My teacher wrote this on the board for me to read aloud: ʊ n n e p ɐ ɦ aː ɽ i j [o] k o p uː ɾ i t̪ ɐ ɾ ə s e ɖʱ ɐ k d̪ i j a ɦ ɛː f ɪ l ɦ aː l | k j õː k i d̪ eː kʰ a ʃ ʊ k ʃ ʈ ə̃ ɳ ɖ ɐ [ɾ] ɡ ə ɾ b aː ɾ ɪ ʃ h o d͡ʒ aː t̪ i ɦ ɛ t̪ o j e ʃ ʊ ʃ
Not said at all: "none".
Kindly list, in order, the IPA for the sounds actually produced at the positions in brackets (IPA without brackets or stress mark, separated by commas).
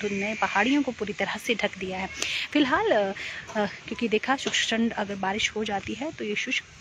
õ, none